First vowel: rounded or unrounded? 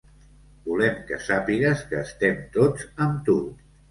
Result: rounded